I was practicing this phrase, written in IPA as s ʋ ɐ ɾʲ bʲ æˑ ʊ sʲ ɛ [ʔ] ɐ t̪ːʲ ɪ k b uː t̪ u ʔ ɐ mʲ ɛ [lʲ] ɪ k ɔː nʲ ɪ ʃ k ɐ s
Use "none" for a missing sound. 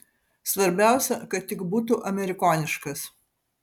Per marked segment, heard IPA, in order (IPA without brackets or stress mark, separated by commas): k, ɾʲ